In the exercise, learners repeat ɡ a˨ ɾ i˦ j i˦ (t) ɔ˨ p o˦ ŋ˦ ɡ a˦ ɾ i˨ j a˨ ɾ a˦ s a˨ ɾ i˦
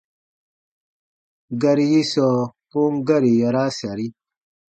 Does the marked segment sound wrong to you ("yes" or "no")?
yes